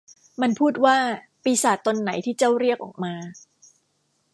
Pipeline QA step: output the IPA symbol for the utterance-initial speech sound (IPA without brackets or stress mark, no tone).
m